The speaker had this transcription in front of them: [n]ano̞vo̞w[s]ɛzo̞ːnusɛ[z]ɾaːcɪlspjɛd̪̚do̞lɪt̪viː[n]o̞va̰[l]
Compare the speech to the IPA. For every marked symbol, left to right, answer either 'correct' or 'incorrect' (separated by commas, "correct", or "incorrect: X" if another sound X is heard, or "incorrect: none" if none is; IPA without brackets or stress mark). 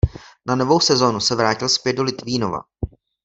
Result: correct, correct, incorrect: v, correct, incorrect: none